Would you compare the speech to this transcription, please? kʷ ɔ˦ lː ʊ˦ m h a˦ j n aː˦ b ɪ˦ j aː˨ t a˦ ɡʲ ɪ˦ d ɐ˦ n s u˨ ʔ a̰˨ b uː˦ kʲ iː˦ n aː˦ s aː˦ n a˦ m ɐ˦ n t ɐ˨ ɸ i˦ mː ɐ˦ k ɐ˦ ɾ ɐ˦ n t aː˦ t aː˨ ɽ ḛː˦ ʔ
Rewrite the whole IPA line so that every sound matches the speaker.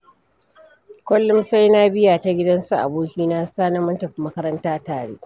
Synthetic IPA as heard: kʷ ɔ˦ lː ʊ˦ m s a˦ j n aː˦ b ɪ˦ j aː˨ t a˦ ɡʲ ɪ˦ d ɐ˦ n s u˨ ʔ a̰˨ b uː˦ kʲ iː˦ n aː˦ s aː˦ n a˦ m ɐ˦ n t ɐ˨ ɸ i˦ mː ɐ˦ k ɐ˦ ɾ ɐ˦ n t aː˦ t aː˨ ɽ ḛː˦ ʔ